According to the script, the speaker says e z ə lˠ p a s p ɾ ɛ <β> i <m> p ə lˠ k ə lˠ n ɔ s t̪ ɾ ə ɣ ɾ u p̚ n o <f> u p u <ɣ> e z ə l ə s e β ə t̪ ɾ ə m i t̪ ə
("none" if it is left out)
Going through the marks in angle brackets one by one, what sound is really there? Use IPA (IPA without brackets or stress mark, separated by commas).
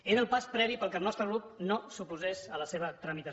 β, none, s, z